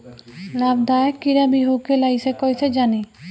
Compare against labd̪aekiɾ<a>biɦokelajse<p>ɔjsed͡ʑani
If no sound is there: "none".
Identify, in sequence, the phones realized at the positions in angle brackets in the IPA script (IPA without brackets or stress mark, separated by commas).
a, k